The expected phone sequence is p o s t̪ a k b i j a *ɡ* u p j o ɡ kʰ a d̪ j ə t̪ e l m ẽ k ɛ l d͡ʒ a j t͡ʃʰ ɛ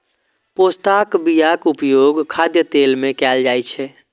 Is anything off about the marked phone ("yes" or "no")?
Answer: yes